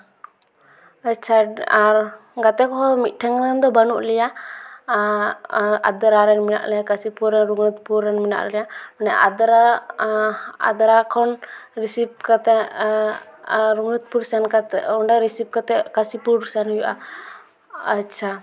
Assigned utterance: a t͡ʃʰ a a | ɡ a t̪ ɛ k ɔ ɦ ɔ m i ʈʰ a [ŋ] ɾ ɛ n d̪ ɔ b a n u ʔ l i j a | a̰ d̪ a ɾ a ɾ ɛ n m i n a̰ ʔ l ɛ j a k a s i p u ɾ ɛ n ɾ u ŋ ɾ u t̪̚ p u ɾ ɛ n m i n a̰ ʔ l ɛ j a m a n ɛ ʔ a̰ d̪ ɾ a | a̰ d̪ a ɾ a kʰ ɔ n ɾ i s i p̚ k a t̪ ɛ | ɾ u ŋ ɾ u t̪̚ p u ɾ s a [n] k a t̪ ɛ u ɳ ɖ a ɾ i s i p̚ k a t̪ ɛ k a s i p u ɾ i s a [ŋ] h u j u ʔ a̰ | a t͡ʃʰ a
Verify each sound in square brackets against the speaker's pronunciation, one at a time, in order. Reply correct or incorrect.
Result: correct, correct, incorrect

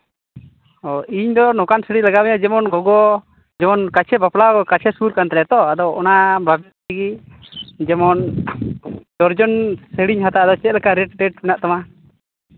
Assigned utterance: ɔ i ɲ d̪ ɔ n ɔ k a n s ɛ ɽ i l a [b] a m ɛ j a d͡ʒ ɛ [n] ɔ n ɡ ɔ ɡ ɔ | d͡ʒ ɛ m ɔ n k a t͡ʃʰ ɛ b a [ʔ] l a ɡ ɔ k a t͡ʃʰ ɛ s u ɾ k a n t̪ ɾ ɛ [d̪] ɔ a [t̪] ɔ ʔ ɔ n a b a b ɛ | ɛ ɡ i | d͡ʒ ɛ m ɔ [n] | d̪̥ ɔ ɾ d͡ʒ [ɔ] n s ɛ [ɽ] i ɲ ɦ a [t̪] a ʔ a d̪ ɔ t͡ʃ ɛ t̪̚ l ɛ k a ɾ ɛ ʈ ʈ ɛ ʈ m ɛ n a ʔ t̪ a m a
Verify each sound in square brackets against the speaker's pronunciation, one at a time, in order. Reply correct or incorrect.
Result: incorrect, incorrect, incorrect, incorrect, incorrect, correct, correct, correct, correct

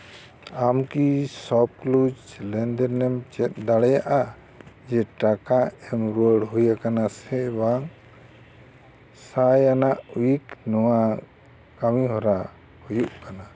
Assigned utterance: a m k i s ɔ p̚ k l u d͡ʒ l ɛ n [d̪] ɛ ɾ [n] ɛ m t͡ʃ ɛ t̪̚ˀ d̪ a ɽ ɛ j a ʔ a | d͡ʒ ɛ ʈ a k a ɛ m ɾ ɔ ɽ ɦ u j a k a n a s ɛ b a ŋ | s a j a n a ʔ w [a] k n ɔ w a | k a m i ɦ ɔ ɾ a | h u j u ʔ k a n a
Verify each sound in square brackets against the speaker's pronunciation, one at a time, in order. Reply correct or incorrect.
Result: correct, correct, incorrect

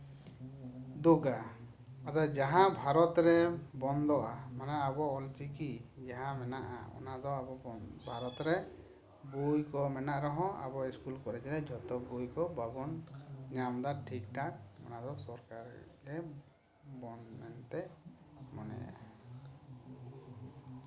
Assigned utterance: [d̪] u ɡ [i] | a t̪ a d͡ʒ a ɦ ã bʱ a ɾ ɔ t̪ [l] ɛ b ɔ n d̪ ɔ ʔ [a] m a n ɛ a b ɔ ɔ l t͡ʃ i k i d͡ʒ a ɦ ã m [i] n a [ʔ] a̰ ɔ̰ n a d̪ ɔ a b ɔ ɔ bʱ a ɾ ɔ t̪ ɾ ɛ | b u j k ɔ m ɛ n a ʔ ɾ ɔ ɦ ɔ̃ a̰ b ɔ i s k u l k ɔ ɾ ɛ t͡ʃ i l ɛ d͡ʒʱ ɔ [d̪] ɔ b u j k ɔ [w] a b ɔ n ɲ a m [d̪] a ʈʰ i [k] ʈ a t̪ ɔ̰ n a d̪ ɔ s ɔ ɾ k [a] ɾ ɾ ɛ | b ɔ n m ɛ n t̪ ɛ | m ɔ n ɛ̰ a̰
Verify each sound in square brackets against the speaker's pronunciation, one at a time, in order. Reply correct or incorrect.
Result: correct, incorrect, incorrect, correct, incorrect, correct, incorrect, incorrect, correct, correct, correct

